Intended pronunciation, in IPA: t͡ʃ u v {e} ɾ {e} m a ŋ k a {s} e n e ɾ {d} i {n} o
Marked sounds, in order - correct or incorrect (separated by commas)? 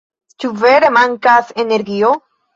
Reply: correct, correct, correct, incorrect, incorrect